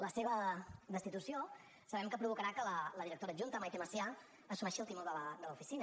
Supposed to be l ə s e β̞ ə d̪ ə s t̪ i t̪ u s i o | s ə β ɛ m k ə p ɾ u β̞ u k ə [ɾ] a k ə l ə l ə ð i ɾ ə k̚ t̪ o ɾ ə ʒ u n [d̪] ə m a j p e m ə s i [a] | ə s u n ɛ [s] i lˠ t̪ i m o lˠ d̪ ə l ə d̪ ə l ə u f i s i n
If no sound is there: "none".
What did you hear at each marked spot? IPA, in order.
ɾ, t̪, a, ʃ

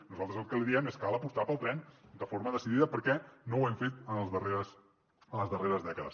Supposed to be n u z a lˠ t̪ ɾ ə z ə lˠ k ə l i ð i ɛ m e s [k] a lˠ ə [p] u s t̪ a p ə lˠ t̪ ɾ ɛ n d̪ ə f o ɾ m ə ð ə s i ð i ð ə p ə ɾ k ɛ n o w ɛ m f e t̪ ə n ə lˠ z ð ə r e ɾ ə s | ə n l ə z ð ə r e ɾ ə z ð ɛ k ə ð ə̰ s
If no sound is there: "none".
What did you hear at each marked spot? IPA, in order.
k, p

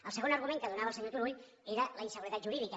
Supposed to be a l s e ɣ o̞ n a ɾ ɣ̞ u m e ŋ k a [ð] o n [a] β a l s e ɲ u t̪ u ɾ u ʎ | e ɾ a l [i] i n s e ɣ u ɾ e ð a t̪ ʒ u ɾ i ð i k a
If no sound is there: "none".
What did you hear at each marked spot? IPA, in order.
ð, a, a

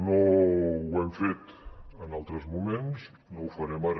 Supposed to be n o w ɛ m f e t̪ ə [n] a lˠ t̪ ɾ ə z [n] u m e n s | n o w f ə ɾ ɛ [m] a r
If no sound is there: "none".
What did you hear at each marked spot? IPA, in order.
n, m, m

